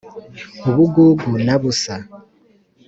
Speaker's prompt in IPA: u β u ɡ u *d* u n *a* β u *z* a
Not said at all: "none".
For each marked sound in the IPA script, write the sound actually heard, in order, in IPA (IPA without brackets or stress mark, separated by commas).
ɡ, a, s